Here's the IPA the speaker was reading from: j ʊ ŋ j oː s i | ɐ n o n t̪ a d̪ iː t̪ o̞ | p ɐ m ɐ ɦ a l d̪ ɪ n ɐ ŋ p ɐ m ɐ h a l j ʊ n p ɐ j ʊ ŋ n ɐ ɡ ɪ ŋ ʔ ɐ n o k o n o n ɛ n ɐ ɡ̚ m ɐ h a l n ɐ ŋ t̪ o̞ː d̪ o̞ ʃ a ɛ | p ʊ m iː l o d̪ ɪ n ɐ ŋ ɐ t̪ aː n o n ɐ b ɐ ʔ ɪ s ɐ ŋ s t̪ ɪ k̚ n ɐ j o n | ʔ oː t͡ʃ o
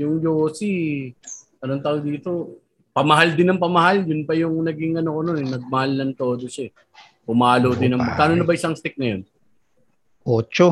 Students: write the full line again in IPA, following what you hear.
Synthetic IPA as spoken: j ʊ ŋ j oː s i | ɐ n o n t̪ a d̪ iː t̪ o̞ | p ɐ m ɐ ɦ a l d̪ ɪ n ɐ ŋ p ɐ m ɐ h a l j ʊ n p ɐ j ʊ ŋ n ɐ ɡ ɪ ŋ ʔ ɐ n o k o n o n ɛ n ɐ ɡ̚ m ɐ h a l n ɐ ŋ t̪ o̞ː d̪ o̞ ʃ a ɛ | p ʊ m aː l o d̪ ɪ n ɐ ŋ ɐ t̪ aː n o n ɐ b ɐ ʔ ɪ s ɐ ŋ s t̪ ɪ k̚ n ɐ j o n | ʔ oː t͡ʃ o